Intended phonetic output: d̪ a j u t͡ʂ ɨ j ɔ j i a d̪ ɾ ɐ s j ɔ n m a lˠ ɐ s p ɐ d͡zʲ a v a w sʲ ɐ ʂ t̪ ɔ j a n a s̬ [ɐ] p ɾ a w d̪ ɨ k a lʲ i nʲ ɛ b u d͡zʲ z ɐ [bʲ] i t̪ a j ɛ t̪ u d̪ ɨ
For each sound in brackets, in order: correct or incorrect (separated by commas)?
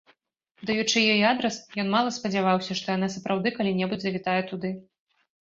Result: correct, incorrect